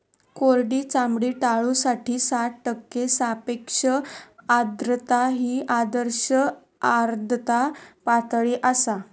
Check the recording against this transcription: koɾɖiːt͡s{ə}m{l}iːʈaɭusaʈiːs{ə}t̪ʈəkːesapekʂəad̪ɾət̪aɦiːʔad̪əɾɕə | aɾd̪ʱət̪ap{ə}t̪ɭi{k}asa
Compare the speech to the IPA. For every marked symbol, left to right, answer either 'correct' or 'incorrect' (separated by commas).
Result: incorrect, incorrect, incorrect, incorrect, incorrect